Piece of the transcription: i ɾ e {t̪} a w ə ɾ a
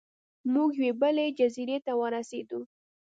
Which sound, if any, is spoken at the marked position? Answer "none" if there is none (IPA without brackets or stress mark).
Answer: t̪